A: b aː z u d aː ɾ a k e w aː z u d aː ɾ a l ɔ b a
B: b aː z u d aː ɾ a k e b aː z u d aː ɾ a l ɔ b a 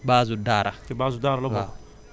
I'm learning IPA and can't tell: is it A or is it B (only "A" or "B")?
B